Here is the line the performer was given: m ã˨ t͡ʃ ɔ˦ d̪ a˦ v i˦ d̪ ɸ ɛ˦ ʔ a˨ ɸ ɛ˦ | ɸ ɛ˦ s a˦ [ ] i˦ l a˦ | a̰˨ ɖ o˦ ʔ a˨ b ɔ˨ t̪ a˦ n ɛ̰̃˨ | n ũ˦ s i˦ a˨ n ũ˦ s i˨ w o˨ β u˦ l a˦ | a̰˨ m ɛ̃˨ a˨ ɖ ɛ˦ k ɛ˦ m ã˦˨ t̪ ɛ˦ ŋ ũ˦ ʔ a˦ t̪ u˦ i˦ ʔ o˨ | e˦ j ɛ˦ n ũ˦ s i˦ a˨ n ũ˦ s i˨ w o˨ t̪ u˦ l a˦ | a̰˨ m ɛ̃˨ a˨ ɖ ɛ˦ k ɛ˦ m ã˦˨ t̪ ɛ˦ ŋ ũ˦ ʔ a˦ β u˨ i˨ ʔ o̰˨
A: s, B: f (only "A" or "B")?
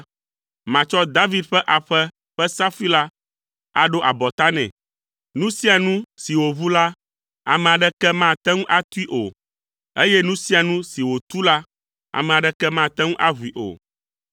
B